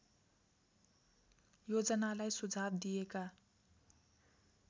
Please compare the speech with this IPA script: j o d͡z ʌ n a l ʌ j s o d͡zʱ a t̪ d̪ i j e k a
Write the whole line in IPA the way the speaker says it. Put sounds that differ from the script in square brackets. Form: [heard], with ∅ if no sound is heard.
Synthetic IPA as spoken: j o d͡z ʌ n a l [a] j s [u] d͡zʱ a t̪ d̪ i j e k a